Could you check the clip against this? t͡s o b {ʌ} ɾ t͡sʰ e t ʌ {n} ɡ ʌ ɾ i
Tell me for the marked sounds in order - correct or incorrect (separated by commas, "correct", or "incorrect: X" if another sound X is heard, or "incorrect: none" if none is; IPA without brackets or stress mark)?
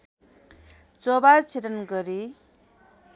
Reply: incorrect: a, correct